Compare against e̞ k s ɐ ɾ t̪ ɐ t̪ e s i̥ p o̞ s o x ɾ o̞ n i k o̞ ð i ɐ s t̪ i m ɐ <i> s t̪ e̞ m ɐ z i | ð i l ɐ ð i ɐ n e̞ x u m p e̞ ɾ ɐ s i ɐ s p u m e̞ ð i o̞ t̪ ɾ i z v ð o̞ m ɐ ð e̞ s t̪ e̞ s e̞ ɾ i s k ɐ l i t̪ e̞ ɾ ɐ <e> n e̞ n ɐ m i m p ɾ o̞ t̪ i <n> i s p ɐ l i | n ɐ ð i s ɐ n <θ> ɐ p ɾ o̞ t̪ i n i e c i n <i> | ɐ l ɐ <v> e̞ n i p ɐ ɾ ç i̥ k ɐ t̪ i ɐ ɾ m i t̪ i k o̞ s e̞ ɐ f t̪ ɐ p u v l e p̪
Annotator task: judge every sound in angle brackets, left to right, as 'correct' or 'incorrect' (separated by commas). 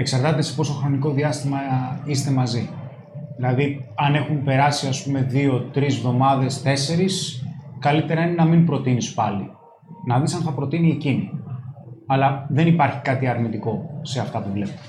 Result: correct, incorrect, correct, correct, correct, incorrect